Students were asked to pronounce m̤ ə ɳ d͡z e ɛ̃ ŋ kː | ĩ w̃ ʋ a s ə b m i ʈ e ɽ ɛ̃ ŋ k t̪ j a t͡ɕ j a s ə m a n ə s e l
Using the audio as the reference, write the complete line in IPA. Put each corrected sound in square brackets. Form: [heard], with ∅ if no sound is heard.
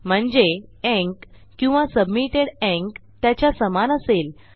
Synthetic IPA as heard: m̤ ə ɳ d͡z e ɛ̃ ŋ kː | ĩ w̃ ʋ a s ə b m i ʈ e ɽ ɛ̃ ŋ k t̪ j a t͡ɕ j a s ə m a n ə s e l